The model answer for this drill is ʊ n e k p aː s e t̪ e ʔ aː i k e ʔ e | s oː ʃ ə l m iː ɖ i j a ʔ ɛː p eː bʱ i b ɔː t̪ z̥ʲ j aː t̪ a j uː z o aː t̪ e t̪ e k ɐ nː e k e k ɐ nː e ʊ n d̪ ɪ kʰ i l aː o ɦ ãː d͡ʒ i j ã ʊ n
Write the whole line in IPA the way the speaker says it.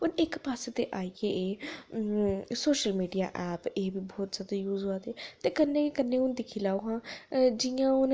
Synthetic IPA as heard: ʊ n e k p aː s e t̪ e ʔ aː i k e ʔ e | s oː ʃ ə l m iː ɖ i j a ʔ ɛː p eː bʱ i b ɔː t̪ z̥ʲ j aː d̪ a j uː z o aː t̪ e t̪ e k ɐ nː e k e k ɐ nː e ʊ n d̪ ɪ kʰ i l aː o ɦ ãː d͡ʒ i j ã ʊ n